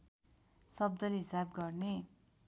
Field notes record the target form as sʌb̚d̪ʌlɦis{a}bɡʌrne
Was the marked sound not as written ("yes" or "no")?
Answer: no